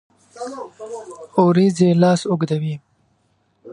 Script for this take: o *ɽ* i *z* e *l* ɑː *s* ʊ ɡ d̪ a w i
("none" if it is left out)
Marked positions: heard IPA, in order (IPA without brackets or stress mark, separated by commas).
ɾ, z, l, s